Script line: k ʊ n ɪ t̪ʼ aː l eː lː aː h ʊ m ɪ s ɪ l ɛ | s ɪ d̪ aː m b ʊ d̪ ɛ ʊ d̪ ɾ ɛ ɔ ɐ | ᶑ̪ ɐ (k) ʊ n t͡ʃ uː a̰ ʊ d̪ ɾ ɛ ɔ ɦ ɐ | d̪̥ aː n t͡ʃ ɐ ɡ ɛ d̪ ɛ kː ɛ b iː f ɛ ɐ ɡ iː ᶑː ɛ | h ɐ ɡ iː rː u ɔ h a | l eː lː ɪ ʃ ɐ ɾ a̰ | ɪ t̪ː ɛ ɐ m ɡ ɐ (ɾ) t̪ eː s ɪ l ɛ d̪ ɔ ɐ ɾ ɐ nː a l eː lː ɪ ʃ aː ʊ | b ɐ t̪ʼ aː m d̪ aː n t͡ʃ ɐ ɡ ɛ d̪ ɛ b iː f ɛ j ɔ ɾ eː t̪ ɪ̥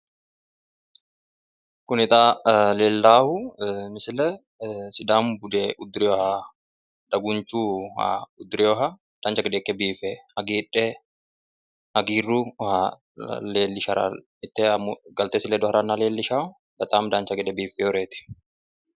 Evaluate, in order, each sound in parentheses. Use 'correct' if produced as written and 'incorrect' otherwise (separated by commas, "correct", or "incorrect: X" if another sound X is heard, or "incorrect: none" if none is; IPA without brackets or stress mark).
incorrect: ɡ, incorrect: l